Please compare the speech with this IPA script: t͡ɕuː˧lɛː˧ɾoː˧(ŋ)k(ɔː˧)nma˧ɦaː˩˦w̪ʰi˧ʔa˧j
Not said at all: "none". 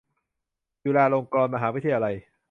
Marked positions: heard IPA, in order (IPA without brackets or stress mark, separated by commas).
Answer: ŋ, ɔː˧